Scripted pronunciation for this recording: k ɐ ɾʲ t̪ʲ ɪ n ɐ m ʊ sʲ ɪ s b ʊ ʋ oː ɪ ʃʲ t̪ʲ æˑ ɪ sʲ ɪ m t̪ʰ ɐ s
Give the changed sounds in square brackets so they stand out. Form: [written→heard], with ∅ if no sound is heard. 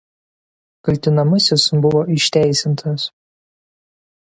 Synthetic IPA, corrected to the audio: k ɐ [ɾʲ→lʲ] t̪ʲ ɪ n ɐ m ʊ sʲ ɪ s b ʊ ʋ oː ɪ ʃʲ t̪ʲ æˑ ɪ sʲ ɪ [m→n] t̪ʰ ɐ s